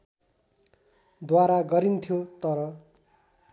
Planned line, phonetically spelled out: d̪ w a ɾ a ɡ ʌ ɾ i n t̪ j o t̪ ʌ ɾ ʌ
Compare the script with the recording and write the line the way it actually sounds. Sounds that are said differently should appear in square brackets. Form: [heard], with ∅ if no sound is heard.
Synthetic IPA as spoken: d̪ w a ɾ a ɡ ʌ ɾ i n [t̪ʰ] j o t̪ ʌ ɾ ʌ